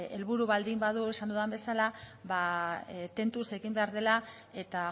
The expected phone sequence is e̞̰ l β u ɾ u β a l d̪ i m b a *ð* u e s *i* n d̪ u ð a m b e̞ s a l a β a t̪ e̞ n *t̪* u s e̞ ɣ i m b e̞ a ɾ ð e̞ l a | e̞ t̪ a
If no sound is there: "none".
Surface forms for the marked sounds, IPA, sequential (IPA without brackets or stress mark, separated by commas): ð, a, t̪